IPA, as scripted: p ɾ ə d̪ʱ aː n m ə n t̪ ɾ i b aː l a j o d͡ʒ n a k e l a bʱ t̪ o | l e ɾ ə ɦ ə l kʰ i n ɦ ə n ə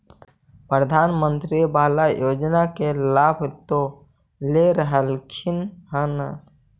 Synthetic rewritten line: p ɾ ə d̪ʱ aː n m ə n t̪ ɾ i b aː l a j o d͡ʒ n a k e l a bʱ t̪ o | l e ɾ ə ɦ ə l kʰ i n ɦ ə n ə